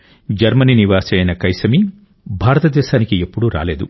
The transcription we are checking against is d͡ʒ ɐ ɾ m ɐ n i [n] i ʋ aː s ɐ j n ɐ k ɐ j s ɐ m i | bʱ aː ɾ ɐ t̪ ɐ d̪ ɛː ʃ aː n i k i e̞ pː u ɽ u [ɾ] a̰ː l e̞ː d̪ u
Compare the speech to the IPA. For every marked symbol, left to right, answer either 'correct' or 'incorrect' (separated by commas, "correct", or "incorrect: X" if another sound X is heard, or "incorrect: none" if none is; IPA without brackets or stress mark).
correct, correct